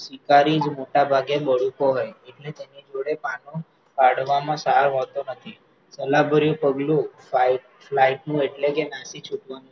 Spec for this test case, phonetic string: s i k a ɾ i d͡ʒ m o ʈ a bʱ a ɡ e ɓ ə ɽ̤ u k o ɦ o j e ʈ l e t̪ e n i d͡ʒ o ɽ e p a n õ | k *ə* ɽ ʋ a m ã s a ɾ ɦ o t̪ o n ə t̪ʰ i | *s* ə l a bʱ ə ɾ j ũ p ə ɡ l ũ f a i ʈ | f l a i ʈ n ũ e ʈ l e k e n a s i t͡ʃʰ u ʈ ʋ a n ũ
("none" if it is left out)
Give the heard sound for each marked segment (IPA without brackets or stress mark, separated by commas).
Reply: a, s